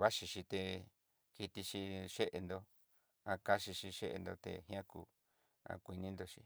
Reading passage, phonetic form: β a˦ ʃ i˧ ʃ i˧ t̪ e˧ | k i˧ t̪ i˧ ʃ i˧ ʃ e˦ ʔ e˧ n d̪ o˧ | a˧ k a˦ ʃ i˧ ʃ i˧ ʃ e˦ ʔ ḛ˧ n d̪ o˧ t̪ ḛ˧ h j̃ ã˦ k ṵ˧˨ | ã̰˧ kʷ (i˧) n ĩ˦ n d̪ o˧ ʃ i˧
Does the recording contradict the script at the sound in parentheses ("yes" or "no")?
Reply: no